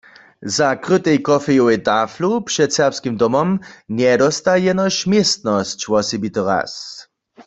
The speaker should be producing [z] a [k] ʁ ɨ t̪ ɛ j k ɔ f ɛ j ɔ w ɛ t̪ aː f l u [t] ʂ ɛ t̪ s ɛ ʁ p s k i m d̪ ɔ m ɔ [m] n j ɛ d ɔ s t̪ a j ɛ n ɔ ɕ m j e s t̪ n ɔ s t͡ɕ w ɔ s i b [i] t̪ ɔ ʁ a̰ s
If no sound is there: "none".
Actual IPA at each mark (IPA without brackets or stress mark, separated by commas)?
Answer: z, k, p, m, i